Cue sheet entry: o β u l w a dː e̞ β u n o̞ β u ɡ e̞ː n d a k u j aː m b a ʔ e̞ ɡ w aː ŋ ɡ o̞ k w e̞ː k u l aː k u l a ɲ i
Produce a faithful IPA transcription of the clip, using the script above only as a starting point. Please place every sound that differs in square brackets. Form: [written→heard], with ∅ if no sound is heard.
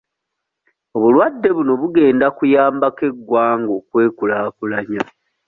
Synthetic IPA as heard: o β u l w a dː e̞ β u n o̞ β u ɡ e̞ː n d a k u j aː m b a [ʔ→k] e̞ ɡ w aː ŋ ɡ o̞ k w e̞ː k u l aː k u l a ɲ [i→a]